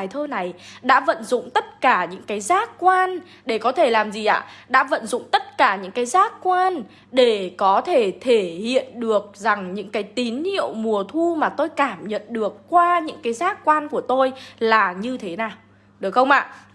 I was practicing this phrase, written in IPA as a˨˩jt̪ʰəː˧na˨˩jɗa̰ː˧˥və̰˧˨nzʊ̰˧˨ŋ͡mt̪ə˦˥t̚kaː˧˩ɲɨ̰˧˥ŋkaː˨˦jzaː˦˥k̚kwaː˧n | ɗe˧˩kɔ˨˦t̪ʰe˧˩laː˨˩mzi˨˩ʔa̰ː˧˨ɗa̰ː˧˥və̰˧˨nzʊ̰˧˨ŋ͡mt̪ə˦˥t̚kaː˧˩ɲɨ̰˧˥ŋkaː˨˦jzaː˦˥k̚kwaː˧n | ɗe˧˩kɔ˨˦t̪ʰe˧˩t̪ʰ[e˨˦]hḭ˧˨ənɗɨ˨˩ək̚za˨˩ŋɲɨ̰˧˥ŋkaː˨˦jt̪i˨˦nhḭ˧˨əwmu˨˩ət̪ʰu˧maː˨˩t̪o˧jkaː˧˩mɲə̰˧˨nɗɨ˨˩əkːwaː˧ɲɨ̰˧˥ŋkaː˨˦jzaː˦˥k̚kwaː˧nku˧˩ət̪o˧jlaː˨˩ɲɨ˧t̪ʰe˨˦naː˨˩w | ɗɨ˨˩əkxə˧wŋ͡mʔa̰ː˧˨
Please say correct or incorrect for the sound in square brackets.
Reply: incorrect